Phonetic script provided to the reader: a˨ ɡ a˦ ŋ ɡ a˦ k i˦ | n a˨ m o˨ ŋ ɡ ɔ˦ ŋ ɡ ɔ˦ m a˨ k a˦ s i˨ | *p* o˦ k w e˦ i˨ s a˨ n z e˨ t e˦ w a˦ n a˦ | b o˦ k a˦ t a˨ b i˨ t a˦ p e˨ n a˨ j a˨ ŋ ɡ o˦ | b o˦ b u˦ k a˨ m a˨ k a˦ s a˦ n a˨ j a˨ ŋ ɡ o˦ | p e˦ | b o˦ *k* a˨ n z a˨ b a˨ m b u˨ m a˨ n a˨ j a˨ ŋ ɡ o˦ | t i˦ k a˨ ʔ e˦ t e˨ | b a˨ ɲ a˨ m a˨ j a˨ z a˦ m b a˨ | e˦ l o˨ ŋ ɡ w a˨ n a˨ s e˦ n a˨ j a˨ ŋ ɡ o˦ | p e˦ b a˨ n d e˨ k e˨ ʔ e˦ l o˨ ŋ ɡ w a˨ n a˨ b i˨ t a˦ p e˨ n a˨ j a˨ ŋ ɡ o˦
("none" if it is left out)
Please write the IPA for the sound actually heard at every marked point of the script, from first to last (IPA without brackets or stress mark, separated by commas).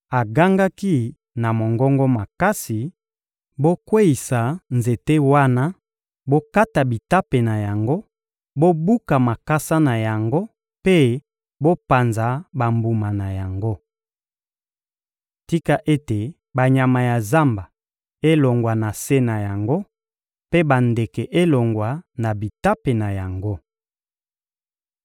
b, p